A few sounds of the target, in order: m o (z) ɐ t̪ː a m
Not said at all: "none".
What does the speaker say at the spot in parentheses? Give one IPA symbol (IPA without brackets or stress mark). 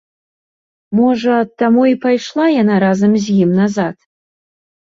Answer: ʐ